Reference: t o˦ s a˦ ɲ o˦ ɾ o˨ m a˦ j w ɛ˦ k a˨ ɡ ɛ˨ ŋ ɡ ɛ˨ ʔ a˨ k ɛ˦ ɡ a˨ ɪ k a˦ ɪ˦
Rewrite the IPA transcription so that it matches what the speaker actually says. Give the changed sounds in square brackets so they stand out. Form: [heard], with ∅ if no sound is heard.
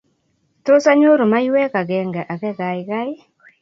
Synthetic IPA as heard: t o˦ s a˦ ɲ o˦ ɾ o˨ m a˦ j w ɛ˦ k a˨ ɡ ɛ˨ ŋ ɡ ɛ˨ ʔ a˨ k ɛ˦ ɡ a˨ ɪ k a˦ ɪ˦